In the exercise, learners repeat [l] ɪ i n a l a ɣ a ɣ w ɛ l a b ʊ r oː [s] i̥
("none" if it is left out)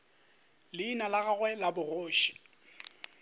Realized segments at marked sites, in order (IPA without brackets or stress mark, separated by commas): l, ʃ